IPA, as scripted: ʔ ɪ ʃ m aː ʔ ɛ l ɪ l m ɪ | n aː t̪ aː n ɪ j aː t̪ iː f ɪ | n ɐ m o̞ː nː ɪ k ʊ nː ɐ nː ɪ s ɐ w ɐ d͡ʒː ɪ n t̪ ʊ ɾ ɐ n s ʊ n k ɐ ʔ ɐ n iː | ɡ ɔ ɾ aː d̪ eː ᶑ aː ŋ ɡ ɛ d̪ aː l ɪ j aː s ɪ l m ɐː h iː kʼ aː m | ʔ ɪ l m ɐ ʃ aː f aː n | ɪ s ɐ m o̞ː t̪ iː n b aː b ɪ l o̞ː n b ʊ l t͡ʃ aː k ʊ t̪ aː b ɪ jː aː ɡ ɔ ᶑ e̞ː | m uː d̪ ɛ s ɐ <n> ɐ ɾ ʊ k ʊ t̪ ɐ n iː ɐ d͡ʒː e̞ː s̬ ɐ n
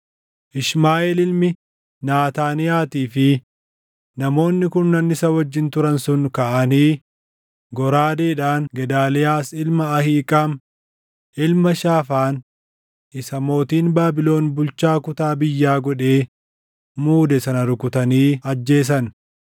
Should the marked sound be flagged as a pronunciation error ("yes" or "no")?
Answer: no